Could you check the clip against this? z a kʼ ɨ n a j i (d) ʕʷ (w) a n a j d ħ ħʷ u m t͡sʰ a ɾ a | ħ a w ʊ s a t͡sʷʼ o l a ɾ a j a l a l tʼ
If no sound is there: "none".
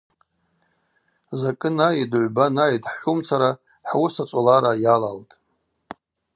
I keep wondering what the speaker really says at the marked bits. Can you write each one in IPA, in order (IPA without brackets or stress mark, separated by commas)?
d, b